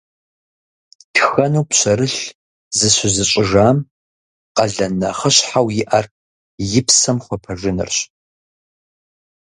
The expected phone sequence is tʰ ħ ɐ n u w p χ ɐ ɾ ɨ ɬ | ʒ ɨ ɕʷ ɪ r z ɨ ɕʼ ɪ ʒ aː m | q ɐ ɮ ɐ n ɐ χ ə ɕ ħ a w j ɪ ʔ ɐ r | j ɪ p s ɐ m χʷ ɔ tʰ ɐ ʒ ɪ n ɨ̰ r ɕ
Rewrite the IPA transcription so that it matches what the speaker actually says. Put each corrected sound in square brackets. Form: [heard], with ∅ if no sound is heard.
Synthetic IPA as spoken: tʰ [x] ɐ n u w p [ɕ] ɐ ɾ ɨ ɬ | [z] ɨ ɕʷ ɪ [∅] z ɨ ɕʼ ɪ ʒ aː m | q ɐ ɮ ɐ n ɐ χ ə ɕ ħ a w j ɪ ʔ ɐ r | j ɪ p s ɐ m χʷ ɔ [pʰ] ɐ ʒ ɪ n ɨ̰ r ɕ